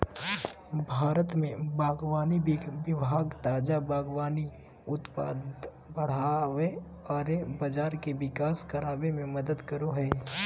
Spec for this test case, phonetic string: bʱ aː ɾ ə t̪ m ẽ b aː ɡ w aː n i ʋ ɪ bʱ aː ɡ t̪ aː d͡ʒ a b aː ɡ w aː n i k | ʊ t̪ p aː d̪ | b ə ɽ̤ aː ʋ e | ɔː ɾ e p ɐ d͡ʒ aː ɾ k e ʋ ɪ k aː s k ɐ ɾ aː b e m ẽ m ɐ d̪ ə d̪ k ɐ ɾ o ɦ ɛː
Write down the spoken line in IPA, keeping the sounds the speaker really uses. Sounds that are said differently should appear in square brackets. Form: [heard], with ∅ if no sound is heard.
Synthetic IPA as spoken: bʱ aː ɾ ə t̪ m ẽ b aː ɡ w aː n i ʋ ɪ bʱ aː ɡ t̪ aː d͡ʒ a b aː ɡ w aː n i [∅] | ʊ t̪ p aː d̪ | b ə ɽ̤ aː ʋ e | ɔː ɾ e [b] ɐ d͡ʒ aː ɾ k e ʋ ɪ k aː s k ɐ ɾ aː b e m ẽ m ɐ d̪ ə d̪ k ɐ ɾ o ɦ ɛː